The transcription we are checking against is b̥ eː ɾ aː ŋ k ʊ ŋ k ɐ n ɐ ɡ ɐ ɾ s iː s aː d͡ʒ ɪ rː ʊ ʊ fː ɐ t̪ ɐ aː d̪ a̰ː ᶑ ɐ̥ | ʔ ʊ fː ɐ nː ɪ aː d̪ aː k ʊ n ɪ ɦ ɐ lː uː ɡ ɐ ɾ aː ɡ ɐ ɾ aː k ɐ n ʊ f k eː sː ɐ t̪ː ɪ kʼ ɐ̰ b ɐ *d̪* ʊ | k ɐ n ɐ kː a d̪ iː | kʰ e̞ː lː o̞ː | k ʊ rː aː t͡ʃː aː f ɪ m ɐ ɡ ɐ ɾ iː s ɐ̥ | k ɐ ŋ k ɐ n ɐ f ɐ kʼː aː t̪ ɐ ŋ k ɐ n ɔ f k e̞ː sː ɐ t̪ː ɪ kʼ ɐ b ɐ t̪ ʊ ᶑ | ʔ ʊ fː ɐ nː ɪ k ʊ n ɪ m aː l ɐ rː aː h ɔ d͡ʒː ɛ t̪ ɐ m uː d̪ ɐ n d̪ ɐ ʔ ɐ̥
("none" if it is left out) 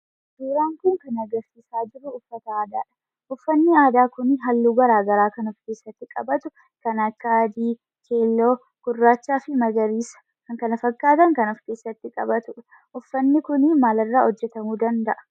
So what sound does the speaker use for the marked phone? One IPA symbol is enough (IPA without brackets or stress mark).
t̪